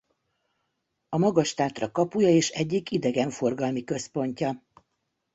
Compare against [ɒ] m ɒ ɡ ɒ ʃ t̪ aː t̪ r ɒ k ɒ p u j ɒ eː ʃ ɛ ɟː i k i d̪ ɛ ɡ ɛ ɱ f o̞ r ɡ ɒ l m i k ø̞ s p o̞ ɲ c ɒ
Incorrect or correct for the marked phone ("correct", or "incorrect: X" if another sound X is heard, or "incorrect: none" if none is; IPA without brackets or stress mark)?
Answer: correct